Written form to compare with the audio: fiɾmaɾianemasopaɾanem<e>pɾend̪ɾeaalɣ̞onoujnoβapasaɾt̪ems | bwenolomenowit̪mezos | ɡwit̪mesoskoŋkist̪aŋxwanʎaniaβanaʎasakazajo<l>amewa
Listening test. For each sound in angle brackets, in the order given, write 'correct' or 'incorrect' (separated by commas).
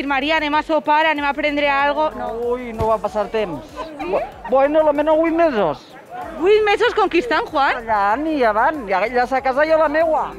incorrect, correct